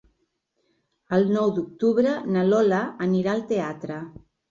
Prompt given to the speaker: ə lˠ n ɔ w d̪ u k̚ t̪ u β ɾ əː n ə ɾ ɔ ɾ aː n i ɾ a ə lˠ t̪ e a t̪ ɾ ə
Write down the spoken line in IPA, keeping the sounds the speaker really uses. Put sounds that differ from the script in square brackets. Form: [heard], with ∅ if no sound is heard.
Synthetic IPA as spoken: ə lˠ n ɔ w d̪ u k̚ t̪ u β ɾ [ə] n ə [l] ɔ [l] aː n i ɾ a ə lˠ t̪ e a t̪ ɾ ə